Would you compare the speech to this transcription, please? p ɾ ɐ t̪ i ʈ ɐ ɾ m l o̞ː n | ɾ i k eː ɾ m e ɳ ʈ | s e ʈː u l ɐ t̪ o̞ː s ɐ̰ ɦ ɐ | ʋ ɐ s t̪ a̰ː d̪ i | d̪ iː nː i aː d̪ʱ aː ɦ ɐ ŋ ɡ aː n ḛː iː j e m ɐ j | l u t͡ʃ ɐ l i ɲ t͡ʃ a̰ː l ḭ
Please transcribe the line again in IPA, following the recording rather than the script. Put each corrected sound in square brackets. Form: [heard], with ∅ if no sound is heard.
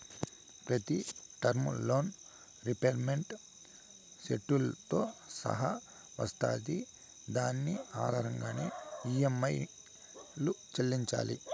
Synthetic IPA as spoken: p ɾ ɐ t̪ i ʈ ɐ ɾ m l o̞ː n | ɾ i [p] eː ɾ m e ɳ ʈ | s e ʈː u l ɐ t̪ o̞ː s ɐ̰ ɦ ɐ | ʋ ɐ s t̪ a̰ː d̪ i | d̪ [aː] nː i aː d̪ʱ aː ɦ ɐ ŋ ɡ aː n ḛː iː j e m ɐ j | l u t͡ʃ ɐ [lː] i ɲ t͡ʃ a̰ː l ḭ